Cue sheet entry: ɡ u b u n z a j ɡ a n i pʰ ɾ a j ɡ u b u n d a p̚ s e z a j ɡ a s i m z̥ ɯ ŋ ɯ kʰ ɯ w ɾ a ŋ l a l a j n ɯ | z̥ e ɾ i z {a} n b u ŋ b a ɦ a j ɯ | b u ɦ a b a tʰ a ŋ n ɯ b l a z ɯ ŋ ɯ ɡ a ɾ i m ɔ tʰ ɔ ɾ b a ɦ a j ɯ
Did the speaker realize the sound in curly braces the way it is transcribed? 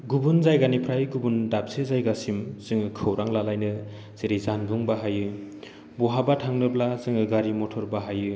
yes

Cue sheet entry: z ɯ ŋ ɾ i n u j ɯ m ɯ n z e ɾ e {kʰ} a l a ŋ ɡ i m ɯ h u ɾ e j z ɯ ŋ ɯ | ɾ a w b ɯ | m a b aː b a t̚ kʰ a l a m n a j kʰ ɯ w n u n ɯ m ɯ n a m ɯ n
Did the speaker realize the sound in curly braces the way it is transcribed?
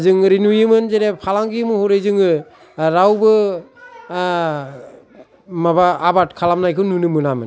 no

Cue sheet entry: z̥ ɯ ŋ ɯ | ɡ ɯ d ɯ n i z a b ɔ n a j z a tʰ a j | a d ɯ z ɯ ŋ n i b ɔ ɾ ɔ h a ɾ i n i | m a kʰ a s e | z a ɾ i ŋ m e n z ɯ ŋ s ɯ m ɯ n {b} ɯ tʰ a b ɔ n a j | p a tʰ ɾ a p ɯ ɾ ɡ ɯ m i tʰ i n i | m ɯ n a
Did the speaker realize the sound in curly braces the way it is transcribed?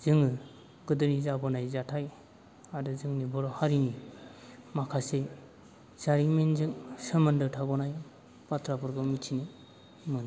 no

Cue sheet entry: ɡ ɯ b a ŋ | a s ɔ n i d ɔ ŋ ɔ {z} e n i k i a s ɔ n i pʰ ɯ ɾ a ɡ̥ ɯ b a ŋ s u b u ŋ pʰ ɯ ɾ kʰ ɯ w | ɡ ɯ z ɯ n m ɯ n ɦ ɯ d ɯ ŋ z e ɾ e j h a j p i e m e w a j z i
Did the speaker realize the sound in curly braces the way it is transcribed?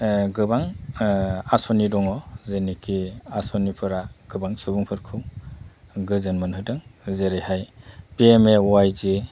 yes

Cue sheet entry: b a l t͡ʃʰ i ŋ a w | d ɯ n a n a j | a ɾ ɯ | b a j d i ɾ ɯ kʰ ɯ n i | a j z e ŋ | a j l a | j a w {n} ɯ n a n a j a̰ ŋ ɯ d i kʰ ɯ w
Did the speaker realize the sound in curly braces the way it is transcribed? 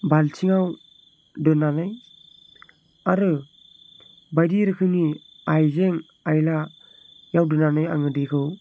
no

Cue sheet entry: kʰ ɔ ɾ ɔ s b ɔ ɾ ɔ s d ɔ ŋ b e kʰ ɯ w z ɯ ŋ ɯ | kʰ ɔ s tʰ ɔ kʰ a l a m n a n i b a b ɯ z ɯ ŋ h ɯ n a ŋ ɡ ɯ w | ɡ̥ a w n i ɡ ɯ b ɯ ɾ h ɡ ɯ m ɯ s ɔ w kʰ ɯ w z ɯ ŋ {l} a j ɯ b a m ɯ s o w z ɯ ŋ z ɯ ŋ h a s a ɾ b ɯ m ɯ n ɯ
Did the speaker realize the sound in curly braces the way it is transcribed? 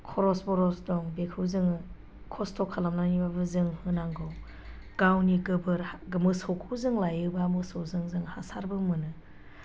yes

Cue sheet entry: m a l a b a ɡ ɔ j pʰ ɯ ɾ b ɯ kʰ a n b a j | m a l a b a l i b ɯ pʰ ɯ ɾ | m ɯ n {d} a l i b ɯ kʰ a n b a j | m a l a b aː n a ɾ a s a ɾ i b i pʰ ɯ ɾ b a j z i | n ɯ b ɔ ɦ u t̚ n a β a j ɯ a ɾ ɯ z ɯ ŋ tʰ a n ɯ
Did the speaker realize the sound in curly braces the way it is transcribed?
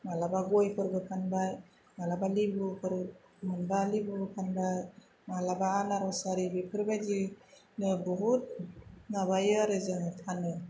no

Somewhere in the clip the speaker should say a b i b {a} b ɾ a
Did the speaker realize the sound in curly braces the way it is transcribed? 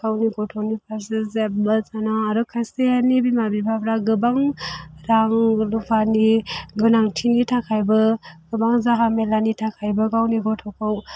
yes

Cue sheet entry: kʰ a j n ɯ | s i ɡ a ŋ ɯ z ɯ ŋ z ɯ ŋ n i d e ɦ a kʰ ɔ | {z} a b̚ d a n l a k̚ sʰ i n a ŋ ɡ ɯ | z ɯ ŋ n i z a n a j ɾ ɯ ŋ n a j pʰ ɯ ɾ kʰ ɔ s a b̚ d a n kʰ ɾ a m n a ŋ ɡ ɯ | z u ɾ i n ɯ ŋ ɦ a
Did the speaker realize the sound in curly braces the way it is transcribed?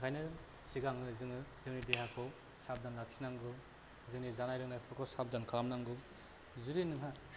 no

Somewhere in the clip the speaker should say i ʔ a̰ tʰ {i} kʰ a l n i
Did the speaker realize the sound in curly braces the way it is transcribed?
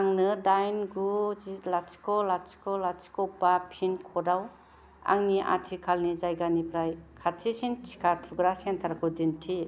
yes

